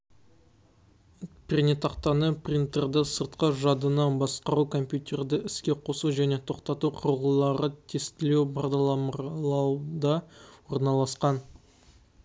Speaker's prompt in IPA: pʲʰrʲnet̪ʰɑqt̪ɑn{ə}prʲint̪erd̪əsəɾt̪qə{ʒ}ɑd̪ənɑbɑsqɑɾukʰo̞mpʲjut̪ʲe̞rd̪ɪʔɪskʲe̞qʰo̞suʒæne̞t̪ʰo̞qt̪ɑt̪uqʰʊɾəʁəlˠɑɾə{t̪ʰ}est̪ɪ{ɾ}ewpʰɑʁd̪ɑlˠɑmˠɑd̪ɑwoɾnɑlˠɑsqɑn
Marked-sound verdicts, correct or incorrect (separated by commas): correct, correct, correct, incorrect